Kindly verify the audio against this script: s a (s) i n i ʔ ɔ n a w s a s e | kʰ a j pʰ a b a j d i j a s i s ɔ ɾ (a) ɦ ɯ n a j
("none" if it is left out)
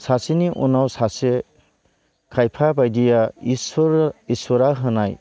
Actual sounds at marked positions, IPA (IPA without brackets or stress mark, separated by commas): s, a